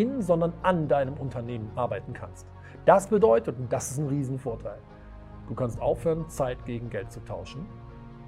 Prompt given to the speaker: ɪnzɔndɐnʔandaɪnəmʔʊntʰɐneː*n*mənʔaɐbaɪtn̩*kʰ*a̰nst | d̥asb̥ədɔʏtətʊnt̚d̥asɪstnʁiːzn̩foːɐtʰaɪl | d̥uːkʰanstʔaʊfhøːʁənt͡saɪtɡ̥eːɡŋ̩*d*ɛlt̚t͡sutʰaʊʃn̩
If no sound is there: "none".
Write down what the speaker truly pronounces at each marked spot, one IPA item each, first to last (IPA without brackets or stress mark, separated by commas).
none, kʰ, ɡ